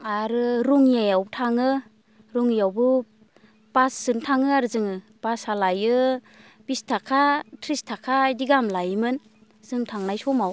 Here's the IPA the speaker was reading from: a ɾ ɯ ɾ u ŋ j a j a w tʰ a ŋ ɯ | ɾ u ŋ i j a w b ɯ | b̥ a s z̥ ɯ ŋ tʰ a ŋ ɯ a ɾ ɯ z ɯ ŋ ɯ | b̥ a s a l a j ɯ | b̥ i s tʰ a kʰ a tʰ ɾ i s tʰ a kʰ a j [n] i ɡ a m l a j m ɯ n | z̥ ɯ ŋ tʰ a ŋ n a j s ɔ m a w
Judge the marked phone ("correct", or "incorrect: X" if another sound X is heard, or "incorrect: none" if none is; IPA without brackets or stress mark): incorrect: d